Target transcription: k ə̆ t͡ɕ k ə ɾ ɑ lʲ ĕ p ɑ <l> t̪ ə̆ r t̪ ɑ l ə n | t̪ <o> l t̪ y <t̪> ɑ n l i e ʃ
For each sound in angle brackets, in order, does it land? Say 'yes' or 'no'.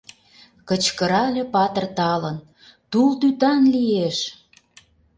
no, no, yes

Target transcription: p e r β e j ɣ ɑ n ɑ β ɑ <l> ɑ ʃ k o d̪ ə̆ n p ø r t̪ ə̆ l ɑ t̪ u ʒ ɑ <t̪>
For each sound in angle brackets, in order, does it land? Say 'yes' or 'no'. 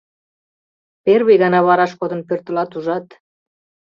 no, yes

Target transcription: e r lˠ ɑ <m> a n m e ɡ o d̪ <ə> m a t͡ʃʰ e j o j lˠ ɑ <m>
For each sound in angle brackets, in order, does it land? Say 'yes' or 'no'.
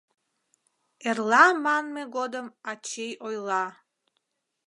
yes, yes, no

